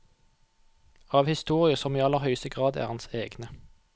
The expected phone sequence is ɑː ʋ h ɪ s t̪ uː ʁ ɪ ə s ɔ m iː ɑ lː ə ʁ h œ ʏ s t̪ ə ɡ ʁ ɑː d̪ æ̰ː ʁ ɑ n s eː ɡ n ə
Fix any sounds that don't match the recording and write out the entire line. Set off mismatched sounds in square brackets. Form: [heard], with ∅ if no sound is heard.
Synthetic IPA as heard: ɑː ʋ h ɪ s t̪ uː ʁ ɪ ə s ɔ m iː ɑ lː ə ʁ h œ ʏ s t̪ ə ɡ ʁ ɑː d̪ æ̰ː ʁ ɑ n s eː ɡ n ə